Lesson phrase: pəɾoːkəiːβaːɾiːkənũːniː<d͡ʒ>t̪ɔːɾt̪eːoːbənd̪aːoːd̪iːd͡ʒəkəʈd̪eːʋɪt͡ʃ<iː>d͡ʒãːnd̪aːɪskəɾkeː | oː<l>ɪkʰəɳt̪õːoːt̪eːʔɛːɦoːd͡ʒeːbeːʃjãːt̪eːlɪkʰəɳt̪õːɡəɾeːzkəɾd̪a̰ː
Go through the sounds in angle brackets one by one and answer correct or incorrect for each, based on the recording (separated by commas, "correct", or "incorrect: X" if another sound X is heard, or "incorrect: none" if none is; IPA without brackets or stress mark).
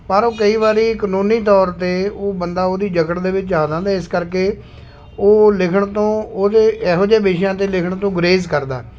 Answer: incorrect: none, incorrect: aː, correct